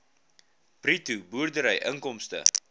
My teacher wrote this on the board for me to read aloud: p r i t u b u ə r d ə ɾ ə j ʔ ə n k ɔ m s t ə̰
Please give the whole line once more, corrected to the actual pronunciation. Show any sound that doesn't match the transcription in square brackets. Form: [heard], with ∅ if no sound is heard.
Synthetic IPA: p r i t u b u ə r d ə ɾ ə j ʔ ə [ŋ] k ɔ m s t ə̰